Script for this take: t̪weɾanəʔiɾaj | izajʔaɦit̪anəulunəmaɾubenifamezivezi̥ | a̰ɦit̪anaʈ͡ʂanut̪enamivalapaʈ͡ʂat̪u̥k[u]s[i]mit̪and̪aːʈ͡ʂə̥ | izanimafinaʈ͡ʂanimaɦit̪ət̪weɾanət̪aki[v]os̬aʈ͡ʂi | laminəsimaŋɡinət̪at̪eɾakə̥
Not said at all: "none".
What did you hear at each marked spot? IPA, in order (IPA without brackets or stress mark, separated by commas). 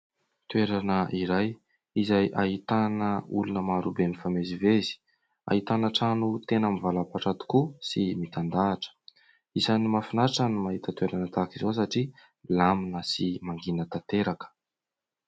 u, i, z